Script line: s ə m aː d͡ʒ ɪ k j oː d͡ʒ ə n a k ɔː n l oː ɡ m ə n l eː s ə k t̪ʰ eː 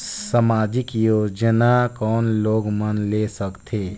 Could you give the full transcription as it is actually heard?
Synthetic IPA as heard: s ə m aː d͡ʒ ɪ k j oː d͡ʒ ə n a k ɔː n l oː ɡ m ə n l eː s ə k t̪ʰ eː